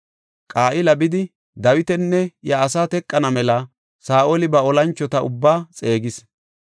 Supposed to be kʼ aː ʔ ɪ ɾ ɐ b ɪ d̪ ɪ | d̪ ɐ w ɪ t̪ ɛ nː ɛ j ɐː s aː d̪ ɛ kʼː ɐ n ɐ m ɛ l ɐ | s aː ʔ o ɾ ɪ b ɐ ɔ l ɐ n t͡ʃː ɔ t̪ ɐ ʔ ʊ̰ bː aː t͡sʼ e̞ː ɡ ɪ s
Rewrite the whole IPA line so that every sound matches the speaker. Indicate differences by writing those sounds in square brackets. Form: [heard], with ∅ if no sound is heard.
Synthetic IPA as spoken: kʼ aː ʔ ɪ [l] ɐ b ɪ d̪ ɪ | d̪ ɐ w ɪ t̪ ɛ nː ɛ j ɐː s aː [t̪] ɛ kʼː ɐ n ɐ m ɛ l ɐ | s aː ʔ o [l] ɪ b ɐ ɔ l ɐ n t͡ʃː ɔ t̪ ɐ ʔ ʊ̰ bː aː t͡sʼ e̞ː ɡ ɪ s